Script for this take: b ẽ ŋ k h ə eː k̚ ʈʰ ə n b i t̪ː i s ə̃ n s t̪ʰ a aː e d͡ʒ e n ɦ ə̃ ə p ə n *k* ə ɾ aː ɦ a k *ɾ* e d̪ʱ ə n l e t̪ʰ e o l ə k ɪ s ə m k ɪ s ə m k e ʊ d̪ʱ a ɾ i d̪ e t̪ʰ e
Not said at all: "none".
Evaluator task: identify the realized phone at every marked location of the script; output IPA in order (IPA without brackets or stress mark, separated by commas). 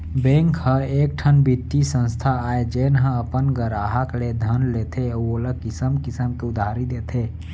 ɡ, l